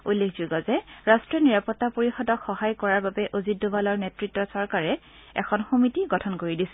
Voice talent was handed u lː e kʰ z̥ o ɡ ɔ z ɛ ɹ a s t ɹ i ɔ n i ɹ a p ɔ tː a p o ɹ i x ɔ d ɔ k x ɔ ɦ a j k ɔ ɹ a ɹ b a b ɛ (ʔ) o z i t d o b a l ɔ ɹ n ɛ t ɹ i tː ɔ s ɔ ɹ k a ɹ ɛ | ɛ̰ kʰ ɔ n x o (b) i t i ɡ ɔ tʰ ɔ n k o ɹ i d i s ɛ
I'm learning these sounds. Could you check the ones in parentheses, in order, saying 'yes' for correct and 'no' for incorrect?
yes, no

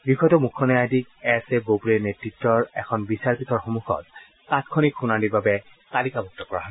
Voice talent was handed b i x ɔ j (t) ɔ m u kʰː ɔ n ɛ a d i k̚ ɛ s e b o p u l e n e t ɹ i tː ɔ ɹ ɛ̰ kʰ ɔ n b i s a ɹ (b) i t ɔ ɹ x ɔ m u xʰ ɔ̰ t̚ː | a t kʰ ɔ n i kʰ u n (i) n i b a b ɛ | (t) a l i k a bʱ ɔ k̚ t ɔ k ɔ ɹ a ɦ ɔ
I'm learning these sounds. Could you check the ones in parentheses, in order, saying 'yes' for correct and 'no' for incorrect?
yes, no, no, yes

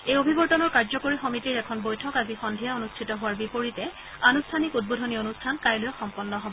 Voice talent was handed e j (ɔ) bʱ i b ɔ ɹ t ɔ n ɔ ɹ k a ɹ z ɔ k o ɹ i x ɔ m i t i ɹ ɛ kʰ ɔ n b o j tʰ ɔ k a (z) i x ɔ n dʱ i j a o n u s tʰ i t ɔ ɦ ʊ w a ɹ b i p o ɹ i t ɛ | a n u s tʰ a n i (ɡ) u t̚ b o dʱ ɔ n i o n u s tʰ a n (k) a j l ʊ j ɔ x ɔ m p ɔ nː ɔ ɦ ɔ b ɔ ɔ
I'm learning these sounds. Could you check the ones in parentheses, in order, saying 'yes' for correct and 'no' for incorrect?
no, yes, no, yes

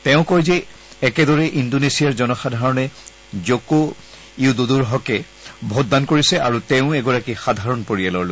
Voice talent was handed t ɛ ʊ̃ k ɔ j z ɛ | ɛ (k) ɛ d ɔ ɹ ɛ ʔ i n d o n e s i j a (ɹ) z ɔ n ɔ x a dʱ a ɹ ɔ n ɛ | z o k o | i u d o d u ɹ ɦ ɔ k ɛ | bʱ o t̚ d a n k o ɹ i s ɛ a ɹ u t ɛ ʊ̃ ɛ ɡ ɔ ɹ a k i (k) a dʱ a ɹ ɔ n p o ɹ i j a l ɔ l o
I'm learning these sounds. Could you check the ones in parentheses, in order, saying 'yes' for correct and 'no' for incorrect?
yes, yes, no

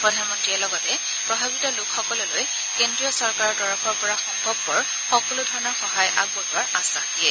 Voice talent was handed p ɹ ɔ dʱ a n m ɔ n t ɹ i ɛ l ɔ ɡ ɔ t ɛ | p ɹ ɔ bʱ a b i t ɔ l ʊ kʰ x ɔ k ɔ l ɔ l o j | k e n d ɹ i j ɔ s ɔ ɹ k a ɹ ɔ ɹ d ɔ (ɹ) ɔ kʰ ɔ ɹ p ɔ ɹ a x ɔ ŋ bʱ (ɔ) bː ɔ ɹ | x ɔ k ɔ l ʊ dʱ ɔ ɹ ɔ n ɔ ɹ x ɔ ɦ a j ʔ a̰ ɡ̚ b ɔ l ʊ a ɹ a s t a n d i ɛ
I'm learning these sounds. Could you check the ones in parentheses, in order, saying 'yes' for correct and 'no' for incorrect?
yes, yes

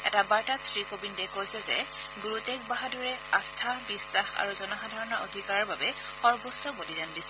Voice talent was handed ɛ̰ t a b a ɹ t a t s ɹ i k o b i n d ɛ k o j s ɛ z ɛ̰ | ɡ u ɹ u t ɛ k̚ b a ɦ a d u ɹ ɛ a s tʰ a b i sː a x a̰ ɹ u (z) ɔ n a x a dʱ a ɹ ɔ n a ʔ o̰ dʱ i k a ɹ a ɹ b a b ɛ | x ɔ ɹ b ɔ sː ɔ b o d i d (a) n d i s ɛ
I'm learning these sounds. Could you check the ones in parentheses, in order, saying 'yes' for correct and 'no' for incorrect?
yes, yes

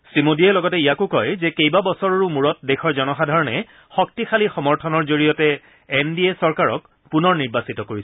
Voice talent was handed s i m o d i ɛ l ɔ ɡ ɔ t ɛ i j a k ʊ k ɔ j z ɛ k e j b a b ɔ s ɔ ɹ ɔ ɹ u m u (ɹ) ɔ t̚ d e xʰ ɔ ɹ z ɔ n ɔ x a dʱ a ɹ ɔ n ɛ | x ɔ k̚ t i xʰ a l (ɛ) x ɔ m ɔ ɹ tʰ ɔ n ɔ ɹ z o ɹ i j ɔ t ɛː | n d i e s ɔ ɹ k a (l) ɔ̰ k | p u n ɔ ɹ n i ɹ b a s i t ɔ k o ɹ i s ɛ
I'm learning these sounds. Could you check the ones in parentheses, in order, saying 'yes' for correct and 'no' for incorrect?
yes, no, no

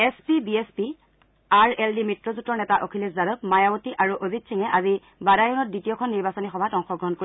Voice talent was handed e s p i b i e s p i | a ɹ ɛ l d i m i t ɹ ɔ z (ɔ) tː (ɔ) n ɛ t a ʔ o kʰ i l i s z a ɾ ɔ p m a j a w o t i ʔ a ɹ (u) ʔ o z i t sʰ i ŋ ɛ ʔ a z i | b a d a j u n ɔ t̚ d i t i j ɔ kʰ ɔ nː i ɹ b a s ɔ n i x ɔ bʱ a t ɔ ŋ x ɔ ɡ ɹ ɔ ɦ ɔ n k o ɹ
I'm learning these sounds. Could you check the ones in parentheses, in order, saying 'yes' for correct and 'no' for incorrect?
no, yes, yes

